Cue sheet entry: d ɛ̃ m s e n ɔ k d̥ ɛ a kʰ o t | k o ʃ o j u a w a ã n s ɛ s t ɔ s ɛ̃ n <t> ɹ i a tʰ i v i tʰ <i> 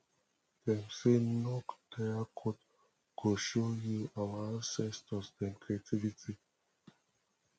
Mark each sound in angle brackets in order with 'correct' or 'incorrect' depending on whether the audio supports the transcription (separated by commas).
incorrect, correct